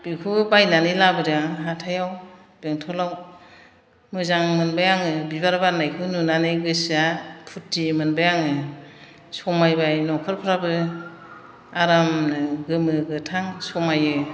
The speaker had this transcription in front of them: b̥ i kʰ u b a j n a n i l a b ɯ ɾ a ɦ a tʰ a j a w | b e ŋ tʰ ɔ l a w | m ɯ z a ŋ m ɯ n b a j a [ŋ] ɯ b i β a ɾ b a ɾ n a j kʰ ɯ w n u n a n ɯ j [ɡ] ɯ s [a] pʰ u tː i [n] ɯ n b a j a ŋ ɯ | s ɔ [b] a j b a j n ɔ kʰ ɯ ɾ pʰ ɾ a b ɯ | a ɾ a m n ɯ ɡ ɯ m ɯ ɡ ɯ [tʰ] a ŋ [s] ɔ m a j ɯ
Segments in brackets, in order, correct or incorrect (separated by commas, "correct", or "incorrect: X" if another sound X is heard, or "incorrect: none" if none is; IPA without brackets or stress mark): correct, correct, correct, incorrect: m, incorrect: m, correct, correct